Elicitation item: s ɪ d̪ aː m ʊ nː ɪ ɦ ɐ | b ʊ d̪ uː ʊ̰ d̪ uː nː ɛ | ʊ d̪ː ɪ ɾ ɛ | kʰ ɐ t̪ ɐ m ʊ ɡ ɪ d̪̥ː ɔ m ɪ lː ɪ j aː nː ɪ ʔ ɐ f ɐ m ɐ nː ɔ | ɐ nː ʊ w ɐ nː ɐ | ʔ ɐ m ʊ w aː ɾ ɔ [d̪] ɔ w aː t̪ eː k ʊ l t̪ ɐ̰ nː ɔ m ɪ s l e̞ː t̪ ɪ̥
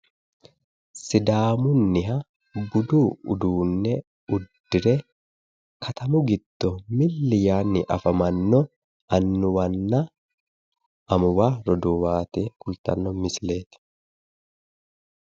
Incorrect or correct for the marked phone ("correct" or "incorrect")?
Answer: correct